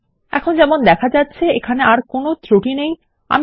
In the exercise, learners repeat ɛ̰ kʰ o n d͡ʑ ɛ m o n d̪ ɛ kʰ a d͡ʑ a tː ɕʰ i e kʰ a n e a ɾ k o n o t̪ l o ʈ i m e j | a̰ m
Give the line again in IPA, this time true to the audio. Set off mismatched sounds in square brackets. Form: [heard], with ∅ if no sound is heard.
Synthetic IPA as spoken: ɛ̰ kʰ o n d͡ʑ ɛ m o n d̪ ɛ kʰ a d͡ʑ a tː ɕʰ [e] e kʰ a n e a ɾ k o n o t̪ [ɾ] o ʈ i [n] e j | a̰ m